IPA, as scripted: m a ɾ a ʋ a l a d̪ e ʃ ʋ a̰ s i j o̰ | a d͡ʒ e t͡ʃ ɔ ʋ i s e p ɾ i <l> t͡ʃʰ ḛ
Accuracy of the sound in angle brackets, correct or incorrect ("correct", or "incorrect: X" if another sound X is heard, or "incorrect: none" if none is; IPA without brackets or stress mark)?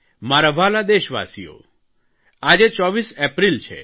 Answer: correct